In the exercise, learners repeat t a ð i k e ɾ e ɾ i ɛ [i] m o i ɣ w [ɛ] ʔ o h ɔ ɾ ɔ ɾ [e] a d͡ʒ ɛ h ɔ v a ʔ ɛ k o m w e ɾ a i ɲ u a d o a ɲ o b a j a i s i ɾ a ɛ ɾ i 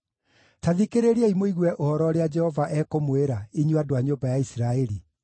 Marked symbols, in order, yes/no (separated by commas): yes, yes, yes